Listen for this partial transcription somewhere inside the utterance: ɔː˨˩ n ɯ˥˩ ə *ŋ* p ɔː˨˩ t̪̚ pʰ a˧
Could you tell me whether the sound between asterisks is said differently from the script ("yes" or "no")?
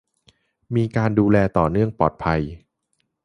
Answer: no